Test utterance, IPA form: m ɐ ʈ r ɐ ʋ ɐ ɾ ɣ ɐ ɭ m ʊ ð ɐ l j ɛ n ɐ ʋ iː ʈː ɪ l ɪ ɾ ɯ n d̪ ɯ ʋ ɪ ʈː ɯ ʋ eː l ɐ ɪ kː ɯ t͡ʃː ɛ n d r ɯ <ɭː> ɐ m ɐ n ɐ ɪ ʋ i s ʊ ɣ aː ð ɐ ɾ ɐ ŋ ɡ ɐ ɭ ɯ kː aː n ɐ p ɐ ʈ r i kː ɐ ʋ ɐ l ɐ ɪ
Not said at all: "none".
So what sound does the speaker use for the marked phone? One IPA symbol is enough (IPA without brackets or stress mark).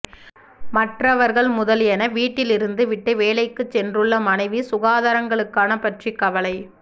ɭː